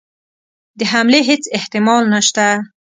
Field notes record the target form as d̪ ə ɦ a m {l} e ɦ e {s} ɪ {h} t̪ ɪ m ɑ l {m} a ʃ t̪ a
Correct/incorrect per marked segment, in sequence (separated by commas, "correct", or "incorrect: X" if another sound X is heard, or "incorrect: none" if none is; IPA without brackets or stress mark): correct, incorrect: t͡s, correct, incorrect: n